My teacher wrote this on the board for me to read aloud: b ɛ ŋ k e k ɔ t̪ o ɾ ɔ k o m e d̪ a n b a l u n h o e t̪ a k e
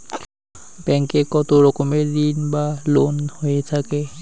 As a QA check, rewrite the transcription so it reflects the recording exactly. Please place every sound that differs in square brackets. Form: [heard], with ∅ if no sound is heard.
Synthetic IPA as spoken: b ɛ ŋ k e k ɔ t̪ o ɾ ɔ k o m e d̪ [i] n b a l [o] n h o e [t̪ʰ] a k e